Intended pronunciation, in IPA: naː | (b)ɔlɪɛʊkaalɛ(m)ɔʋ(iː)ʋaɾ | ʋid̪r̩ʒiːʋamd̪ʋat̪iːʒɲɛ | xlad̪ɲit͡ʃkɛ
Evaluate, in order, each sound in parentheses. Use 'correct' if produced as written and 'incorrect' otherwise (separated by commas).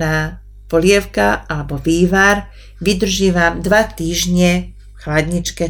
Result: incorrect, incorrect, correct